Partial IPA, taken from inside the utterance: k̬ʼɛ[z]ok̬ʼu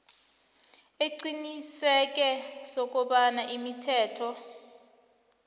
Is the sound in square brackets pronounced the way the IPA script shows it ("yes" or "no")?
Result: no